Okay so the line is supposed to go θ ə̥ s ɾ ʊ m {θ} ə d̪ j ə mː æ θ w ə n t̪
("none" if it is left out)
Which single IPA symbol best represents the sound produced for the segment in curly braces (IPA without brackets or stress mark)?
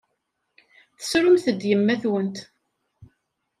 θ